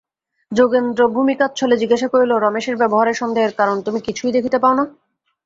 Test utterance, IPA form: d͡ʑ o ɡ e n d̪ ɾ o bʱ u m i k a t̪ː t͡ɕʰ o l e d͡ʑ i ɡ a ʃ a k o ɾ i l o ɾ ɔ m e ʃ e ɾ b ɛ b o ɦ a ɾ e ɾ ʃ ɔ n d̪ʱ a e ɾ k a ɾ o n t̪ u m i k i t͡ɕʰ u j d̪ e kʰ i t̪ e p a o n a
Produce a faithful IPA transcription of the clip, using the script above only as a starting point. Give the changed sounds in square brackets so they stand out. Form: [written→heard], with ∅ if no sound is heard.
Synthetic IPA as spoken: d͡ʑ o ɡ e n d̪ ɾ o bʱ u m i k a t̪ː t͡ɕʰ o l e d͡ʑ i ɡ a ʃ a k o ɾ i l o ɾ ɔ m e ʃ e ɾ b ɛ b o ɦ a ɾ e ɾ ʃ ɔ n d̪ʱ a e ɾ k a ɾ o n t̪ u m i k i t͡ɕʰ u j d̪ e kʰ i t̪ e p a o n a